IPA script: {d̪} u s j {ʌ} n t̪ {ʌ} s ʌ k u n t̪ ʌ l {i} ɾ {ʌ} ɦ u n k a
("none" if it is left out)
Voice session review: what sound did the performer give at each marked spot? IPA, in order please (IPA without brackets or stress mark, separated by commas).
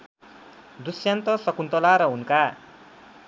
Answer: d̪, a, ʌ, a, ʌ